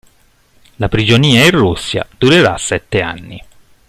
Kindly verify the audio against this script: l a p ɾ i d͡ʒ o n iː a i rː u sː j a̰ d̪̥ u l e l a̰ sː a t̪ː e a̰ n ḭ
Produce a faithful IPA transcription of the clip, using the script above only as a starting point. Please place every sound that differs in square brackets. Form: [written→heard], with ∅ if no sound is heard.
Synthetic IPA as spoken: l a p ɾ i d͡ʒ o n iː a i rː u sː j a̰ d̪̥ u [l→ɾ] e [l→ɾ] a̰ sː [a→ɛ] t̪ː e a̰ [n→nː] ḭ